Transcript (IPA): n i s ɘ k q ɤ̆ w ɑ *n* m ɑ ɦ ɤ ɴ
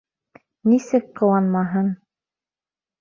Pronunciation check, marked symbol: correct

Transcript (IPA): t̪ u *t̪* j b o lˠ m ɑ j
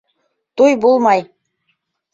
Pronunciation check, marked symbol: incorrect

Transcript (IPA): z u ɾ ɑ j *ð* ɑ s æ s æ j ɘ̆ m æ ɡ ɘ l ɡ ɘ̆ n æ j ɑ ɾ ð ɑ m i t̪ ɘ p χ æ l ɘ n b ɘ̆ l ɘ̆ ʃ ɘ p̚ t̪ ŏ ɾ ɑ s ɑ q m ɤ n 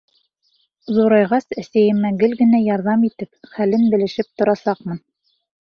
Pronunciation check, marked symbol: incorrect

